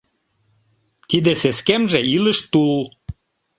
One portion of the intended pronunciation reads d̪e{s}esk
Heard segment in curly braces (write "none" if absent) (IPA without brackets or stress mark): s